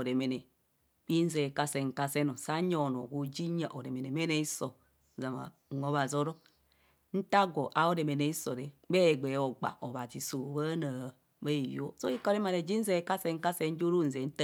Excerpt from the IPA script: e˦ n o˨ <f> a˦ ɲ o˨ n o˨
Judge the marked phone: incorrect: s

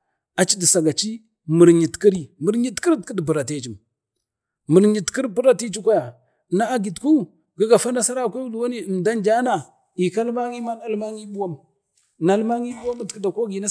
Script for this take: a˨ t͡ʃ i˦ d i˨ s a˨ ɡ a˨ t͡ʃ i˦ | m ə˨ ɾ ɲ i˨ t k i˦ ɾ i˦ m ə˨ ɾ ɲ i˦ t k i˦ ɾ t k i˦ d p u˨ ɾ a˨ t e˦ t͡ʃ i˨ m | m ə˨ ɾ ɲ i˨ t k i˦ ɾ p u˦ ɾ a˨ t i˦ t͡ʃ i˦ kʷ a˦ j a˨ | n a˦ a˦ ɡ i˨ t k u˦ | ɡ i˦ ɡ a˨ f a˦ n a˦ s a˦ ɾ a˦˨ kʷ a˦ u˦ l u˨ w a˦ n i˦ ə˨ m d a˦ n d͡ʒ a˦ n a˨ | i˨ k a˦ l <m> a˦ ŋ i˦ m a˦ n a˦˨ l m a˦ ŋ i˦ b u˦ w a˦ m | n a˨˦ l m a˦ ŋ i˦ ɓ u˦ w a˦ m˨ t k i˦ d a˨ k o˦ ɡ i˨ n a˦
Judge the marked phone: correct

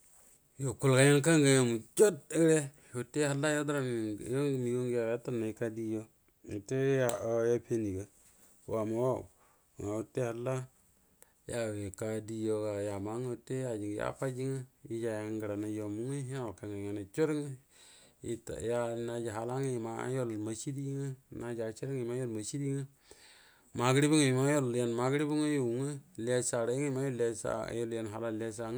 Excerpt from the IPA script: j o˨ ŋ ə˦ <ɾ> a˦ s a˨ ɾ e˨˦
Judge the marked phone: incorrect: l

